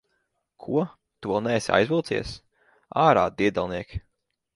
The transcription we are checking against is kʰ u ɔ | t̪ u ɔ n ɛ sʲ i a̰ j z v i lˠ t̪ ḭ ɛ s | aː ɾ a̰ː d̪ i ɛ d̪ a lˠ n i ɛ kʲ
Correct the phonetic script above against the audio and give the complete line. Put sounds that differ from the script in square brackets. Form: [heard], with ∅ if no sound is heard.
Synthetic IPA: kʰ u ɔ | t̪ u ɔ n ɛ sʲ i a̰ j z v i lˠ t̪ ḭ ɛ s | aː ɾ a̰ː d̪ i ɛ d̪ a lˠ n i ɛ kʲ